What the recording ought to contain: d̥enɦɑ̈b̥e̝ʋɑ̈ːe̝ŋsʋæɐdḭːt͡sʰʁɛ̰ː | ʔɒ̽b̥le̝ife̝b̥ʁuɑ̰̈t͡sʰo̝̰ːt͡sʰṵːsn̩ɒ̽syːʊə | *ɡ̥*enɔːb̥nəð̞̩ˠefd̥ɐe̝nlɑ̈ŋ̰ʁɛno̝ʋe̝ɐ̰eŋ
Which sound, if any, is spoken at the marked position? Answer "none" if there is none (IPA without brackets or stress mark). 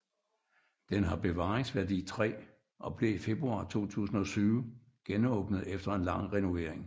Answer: ɡ̥